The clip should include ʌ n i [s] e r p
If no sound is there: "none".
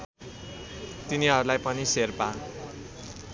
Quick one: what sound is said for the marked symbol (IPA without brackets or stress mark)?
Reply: s